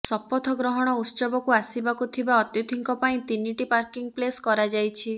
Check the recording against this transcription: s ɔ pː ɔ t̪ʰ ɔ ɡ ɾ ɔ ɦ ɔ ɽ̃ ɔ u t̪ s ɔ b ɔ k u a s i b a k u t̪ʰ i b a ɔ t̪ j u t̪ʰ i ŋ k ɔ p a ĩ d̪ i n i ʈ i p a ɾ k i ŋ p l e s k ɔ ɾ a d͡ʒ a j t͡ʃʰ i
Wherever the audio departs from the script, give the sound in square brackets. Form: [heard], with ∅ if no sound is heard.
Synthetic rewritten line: s ɔ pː ɔ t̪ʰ ɔ ɡ ɾ ɔ ɦ ɔ ɽ̃ ɔ u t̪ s ɔ b ɔ k u a s i b a k u t̪ʰ i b a ɔ t̪ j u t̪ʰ i ŋ k ɔ p a ĩ [t̪] i n i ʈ i p a ɾ k i ŋ p l e s k ɔ ɾ a d͡ʒ a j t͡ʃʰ i